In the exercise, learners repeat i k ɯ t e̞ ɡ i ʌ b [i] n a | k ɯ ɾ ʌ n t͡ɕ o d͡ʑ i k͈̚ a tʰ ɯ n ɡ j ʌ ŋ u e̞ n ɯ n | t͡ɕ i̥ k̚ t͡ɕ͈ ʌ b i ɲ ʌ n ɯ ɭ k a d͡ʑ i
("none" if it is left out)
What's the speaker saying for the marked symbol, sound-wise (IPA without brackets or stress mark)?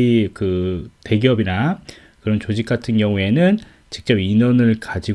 i